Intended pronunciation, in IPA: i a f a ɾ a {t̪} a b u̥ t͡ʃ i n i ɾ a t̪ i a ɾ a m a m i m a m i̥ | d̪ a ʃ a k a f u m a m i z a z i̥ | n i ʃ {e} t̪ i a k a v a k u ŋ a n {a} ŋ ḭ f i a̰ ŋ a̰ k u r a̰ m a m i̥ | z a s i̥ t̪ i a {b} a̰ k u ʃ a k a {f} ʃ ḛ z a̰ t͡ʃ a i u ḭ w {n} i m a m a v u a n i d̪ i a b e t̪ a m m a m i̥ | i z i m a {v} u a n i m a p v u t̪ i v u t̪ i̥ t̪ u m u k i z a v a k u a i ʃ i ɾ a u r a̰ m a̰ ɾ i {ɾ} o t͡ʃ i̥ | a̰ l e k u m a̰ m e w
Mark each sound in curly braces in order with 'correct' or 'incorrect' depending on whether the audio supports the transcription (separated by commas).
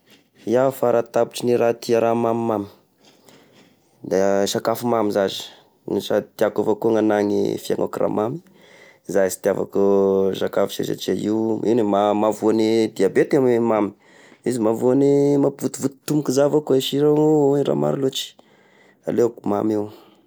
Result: correct, incorrect, correct, incorrect, correct, correct, correct, incorrect